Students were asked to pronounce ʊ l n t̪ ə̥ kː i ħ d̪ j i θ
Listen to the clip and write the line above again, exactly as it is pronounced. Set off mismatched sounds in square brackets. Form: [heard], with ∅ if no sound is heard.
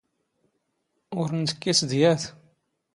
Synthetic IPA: ʊ [ɾ] n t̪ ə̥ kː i [s] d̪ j [æ] θ